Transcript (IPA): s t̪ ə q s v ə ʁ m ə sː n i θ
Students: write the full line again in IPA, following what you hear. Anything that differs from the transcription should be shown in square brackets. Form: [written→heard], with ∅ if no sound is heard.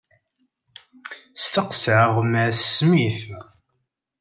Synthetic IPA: s t̪ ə q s [v→ʕ] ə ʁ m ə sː [n→m] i θ